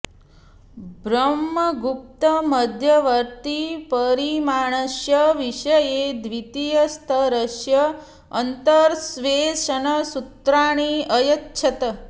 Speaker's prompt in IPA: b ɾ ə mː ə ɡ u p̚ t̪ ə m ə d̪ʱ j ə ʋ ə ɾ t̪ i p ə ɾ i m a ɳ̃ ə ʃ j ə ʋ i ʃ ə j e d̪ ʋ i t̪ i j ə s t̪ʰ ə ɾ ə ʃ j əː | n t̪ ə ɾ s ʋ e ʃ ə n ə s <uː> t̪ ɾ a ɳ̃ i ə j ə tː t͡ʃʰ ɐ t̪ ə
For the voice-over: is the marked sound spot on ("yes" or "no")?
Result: no